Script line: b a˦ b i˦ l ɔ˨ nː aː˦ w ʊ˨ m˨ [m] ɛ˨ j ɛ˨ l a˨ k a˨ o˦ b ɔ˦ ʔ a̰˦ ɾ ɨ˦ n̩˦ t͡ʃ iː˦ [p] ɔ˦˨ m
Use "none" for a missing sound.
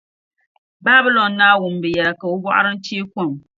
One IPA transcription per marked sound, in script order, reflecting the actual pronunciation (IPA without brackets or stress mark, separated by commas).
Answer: b, k